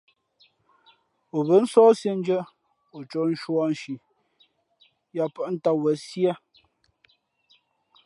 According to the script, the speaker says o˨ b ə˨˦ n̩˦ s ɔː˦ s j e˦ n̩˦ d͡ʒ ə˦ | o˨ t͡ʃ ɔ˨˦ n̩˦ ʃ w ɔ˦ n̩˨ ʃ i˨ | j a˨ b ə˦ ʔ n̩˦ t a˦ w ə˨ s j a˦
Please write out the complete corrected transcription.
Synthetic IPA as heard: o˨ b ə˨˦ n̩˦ s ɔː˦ s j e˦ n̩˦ d͡ʒ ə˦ | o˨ t͡ʃ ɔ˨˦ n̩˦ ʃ w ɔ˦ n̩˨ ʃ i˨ | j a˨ p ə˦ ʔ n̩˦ t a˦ w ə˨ s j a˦

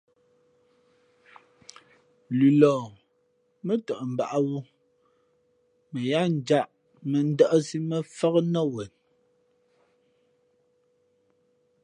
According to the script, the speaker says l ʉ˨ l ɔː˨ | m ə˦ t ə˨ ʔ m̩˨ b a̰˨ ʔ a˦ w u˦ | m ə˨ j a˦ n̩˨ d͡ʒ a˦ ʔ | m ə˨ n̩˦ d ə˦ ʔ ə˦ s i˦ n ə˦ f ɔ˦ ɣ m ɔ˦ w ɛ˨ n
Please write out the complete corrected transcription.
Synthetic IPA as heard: l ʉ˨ l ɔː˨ | m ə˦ t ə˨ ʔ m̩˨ b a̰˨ ʔ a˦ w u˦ | m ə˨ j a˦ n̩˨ d͡ʒ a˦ ʔ | m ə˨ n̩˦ d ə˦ ʔ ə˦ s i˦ m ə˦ f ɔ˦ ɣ n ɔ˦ w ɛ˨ n

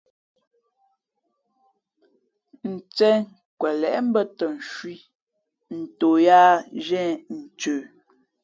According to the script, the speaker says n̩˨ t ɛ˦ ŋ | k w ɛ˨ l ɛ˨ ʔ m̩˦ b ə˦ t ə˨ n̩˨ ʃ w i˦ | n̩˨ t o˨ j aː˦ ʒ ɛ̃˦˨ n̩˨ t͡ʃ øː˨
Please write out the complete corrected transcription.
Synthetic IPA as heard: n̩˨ t͡s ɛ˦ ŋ | k w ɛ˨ l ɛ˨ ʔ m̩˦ b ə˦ t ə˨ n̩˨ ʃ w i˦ | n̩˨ t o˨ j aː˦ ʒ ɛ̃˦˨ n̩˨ t͡ʃ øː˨

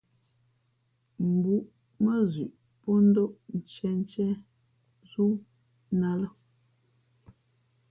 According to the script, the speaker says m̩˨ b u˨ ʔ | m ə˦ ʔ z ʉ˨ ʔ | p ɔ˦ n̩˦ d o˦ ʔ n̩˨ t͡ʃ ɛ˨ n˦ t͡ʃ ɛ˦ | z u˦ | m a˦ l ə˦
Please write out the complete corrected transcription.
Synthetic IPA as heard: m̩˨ b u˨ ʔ | m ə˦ z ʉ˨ ʔ | p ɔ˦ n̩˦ d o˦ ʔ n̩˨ t͡ʃ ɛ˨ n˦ t͡ʃ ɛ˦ | z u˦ | n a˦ l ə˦

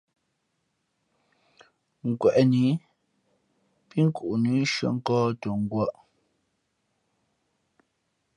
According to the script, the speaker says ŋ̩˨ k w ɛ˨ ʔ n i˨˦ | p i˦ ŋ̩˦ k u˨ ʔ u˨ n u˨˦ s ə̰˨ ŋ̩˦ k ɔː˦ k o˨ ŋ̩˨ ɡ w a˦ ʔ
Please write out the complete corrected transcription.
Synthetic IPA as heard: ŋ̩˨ k w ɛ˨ ʔ n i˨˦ | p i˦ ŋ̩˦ k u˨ ʔ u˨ n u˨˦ ʃ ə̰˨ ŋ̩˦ k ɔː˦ t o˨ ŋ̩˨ ɡ w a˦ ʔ

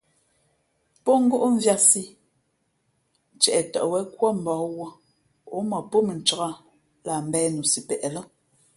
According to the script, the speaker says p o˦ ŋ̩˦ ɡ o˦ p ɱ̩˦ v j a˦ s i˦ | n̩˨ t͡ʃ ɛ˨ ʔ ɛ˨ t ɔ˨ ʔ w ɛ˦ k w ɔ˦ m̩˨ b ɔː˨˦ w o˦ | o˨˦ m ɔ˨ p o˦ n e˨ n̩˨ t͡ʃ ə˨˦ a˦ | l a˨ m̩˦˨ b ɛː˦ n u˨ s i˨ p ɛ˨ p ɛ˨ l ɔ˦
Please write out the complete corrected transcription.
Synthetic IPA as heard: p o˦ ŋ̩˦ ɡ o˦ ʔ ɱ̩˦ v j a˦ s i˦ | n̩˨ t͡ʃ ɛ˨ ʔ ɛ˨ t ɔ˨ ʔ w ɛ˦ k w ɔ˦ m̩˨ b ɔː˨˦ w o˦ | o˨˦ m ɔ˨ p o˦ m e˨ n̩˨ t͡ʃ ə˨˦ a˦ | l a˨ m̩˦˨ b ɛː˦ n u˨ s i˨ p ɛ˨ ʔ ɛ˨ l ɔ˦

